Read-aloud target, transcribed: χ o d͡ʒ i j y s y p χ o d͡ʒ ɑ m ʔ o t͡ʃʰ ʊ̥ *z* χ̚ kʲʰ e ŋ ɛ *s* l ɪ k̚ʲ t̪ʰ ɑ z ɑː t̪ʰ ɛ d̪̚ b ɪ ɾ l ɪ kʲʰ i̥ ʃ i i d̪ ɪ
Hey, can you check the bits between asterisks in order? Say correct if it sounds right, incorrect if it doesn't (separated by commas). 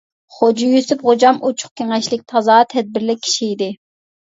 incorrect, incorrect